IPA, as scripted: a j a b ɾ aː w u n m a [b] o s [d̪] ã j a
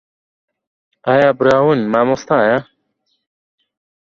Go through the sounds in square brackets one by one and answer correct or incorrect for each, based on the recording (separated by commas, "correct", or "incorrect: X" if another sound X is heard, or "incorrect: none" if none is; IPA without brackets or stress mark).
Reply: incorrect: m, incorrect: t̪